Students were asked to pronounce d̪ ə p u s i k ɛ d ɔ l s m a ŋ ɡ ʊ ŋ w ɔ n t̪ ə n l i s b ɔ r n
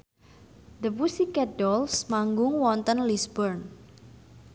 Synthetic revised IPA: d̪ ə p u s i k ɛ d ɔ l s m a ŋ ɡ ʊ ŋ w ɔ n t̪ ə n l i s b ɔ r n